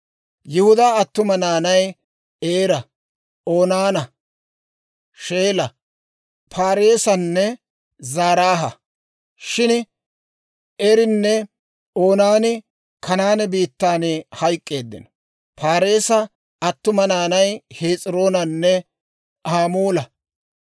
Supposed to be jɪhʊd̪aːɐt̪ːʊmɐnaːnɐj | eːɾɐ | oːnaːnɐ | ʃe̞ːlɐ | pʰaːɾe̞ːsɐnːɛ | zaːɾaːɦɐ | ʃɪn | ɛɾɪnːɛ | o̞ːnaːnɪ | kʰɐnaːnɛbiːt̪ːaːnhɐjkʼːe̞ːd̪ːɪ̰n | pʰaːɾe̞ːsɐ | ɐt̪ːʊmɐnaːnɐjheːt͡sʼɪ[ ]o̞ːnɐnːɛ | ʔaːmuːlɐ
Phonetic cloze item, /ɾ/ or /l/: ɾ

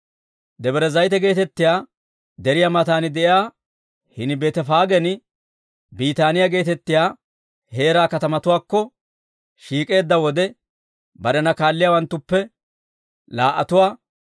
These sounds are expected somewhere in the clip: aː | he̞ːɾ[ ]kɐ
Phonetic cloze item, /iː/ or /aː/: aː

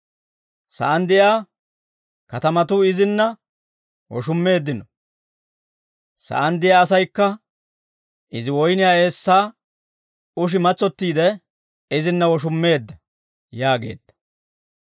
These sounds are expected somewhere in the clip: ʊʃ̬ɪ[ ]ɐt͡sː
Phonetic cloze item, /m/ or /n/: m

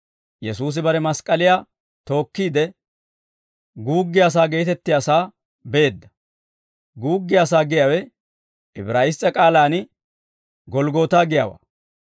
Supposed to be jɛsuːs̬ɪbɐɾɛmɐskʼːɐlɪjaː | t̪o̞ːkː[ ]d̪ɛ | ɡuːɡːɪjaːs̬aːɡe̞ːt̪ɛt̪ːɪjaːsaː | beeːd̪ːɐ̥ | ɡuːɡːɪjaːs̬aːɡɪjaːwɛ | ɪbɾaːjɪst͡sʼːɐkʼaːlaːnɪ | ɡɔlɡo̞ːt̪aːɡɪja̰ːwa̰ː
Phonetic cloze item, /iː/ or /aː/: iː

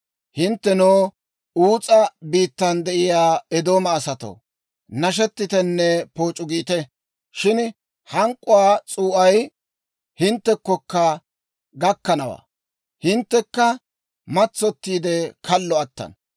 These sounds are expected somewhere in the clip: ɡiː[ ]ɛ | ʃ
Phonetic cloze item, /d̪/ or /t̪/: t̪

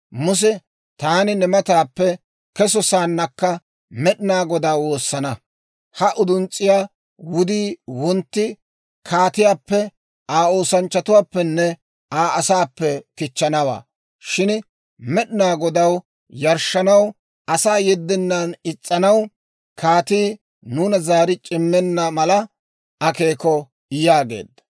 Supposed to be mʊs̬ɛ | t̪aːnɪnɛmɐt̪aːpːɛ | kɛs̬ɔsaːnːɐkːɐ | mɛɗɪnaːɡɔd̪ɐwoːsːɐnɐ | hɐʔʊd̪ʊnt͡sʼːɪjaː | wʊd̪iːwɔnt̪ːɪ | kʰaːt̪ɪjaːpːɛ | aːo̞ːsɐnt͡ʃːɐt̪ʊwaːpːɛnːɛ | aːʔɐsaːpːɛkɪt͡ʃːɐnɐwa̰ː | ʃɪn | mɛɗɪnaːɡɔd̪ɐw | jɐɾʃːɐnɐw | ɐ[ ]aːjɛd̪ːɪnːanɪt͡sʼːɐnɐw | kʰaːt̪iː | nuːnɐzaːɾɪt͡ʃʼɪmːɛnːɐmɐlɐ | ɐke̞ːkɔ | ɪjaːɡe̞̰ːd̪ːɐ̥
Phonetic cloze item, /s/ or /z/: s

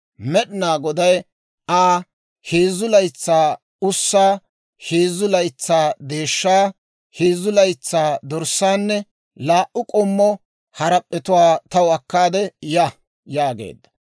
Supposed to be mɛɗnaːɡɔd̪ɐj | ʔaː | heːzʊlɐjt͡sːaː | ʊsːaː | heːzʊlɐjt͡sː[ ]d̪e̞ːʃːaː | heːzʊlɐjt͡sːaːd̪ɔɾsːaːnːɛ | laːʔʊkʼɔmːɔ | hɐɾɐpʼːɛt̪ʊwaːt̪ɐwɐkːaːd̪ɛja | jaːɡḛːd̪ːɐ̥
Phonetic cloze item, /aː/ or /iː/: aː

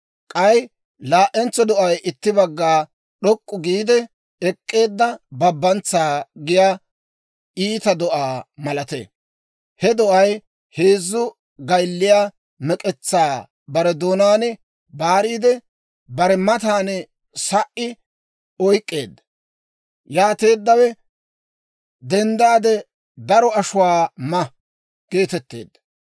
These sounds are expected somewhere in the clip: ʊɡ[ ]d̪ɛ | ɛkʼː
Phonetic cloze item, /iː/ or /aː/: iː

